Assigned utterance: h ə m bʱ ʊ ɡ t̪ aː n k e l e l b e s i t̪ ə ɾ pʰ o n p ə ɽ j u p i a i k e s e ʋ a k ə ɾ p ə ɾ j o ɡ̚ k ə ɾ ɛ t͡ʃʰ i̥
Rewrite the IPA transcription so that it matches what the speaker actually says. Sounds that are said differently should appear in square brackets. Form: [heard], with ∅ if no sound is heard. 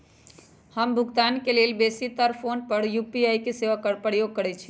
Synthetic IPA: h ə m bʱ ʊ ɡ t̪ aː n k e l e l b e s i t̪ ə ɾ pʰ o n p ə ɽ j u p i a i k e s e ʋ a k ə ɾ p ə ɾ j o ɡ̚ k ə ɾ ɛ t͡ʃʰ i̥